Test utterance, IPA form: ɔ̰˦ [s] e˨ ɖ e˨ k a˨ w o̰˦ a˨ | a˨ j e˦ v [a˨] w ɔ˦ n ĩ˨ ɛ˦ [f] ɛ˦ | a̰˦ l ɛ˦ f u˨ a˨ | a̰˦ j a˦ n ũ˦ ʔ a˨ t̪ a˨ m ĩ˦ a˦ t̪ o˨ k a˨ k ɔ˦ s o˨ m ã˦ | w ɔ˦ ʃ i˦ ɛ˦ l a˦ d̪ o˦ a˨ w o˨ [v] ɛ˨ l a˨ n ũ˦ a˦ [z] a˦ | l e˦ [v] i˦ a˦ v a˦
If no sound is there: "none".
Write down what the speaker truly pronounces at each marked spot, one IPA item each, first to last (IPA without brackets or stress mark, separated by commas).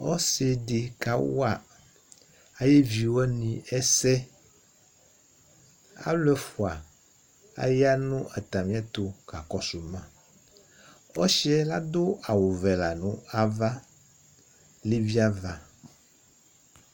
s, i˨, s, v, v, v